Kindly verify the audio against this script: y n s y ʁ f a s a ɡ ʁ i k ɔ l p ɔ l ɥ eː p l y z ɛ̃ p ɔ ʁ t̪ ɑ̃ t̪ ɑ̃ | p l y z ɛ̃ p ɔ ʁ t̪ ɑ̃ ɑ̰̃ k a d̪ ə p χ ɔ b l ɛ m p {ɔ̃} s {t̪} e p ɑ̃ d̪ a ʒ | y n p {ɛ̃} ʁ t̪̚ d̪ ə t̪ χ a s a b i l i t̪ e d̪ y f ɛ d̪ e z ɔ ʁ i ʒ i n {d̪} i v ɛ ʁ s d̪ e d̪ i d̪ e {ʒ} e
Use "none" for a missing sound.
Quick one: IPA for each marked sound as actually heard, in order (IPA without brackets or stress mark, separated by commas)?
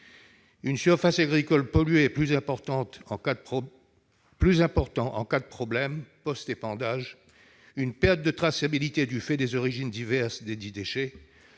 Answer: ɔ, t̪, ɛ, d̪, ʃ